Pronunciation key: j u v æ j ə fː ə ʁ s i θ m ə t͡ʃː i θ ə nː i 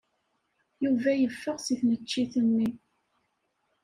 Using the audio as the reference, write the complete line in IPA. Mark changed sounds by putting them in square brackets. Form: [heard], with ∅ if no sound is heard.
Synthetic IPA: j u v æ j ə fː ə ʁ s i θ [n] ə t͡ʃː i θ ə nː i